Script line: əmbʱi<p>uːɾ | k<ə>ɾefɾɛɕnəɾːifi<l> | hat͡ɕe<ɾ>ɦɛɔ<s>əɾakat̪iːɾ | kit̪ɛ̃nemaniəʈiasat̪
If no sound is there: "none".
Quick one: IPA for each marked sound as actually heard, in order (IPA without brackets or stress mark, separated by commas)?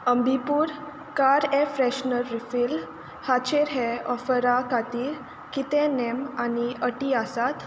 p, a, l, ɾ, f